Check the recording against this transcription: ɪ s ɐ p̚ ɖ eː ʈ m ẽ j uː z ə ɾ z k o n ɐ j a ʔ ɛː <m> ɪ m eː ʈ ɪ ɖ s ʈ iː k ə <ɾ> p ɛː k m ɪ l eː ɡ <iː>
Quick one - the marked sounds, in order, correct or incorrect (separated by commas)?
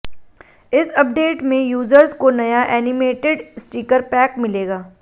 incorrect, correct, incorrect